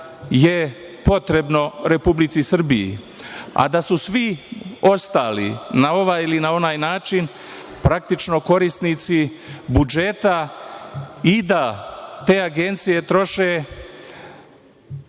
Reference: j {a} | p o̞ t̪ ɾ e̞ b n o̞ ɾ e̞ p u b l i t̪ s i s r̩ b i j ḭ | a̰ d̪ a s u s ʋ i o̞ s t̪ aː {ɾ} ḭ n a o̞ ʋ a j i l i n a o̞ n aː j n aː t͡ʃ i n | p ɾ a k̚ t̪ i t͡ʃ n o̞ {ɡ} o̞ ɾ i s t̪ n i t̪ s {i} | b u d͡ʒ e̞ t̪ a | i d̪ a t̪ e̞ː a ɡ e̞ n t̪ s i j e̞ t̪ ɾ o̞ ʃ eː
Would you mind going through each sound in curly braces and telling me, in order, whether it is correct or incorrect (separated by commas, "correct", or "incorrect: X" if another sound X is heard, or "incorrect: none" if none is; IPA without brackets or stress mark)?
incorrect: e, incorrect: l, incorrect: k, correct